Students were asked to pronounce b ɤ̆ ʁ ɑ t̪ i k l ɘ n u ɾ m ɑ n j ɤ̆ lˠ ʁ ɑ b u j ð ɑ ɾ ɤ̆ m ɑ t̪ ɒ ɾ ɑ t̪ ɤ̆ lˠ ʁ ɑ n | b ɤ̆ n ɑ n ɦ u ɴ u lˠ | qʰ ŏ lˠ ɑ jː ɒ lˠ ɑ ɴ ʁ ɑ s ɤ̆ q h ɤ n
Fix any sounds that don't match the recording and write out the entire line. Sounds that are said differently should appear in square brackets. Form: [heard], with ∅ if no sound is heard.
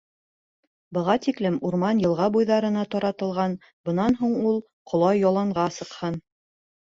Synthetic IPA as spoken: b ɤ̆ ʁ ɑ t̪ i k l ɘ [m] u ɾ m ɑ n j ɤ̆ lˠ ʁ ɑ b u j ð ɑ ɾ ɤ̆ [n] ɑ t̪ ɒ ɾ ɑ t̪ ɤ̆ lˠ ʁ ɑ n | b ɤ̆ n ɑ n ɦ u ɴ u lˠ | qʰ ŏ lˠ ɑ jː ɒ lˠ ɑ ɴ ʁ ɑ s ɤ̆ q h ɤ n